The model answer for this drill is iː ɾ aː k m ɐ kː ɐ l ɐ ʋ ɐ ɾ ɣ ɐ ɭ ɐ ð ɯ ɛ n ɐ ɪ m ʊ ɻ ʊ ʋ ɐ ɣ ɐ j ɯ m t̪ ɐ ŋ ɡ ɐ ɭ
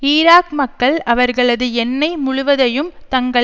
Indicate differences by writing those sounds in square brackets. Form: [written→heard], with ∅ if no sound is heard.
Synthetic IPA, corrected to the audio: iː ɾ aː k m ɐ kː ɐ [l→ɭ] ɐ ʋ ɐ ɾ ɣ ɐ ɭ ɐ ð ɯ ɛ [n→nː] ɐ ɪ m ʊ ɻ ʊ ʋ ɐ [ɣ→ð] ɐ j ɯ m t̪ ɐ ŋ ɡ ɐ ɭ